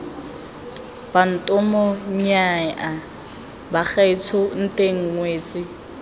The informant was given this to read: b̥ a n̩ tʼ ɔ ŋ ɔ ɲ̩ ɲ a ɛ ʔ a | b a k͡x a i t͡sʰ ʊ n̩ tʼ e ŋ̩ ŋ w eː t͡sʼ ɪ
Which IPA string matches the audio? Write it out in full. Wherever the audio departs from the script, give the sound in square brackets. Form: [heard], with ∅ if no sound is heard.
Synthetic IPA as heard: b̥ a n̩ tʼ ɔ [m] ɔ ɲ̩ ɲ a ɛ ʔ a | b a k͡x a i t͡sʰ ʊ n̩ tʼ e ŋ̩ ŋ w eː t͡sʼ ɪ